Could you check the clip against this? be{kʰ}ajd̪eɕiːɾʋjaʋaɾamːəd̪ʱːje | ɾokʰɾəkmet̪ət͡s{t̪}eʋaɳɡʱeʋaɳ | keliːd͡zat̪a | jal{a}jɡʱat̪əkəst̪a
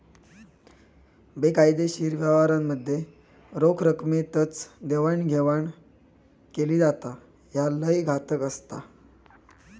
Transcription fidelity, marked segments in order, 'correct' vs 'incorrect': incorrect: k, incorrect: d̪, incorrect: ə

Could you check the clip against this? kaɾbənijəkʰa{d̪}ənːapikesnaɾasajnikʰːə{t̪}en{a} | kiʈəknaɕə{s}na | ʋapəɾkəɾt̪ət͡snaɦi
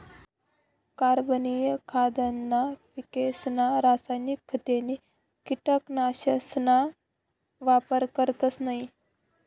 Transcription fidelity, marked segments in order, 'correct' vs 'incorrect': correct, correct, incorrect: i, correct

